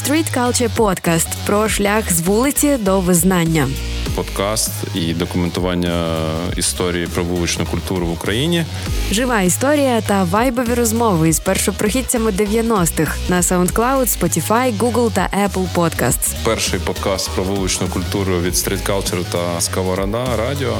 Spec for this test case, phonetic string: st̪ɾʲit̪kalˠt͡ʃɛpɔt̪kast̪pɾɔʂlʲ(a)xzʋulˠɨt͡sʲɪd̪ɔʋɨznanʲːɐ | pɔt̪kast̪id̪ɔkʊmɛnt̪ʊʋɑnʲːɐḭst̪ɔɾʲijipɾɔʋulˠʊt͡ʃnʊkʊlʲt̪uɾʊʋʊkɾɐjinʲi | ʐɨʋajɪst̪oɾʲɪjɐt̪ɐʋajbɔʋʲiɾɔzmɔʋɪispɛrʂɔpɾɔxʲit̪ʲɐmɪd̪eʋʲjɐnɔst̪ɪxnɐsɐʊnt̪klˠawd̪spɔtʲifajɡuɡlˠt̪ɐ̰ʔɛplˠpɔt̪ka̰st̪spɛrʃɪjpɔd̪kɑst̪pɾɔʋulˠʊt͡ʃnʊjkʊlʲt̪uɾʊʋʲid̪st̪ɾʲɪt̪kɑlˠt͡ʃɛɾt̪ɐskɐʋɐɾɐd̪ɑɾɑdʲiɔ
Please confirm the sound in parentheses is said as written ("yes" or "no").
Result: yes